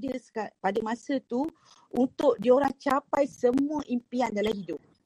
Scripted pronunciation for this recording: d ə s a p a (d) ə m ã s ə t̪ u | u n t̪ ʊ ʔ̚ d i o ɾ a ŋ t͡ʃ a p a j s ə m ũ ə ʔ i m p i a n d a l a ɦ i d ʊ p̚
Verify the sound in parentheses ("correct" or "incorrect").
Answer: correct